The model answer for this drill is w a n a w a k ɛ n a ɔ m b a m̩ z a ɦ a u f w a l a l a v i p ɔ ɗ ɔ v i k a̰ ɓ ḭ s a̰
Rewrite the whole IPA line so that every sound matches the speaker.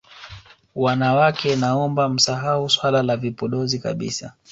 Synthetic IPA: w a n a w a k ɛ n a ɔ m b a m̩ s a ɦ a u s w a l a l a v i p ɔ ɗ ɔ z i k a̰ ɓ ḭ s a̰